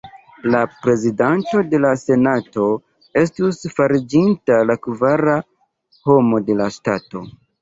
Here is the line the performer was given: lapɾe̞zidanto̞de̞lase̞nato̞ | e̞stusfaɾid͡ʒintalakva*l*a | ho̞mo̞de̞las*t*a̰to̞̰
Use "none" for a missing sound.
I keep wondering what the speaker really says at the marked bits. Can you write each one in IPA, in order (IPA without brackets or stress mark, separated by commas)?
ɾ, t